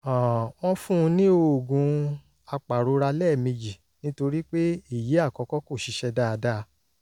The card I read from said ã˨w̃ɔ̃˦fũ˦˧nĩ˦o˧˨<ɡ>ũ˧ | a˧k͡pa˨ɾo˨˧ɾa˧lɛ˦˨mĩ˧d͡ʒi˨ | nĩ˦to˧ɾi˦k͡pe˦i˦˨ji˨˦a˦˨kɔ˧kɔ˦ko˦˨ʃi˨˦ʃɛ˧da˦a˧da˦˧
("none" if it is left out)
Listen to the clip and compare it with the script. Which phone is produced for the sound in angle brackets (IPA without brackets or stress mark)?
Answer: ɡ